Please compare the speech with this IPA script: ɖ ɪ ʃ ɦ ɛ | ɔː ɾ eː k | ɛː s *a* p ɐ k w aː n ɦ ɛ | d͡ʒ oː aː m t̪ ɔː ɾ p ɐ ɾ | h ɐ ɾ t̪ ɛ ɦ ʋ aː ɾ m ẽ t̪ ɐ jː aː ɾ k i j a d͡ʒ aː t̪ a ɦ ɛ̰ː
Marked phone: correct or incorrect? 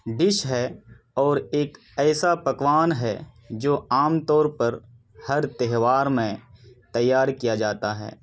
correct